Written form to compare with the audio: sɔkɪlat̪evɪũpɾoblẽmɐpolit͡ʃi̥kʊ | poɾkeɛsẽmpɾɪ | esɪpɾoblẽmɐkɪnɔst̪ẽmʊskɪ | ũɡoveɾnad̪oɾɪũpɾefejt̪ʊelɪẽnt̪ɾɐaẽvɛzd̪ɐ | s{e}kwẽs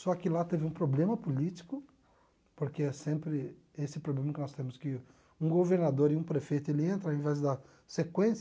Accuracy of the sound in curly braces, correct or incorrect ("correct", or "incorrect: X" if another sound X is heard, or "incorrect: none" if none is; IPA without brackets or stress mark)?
correct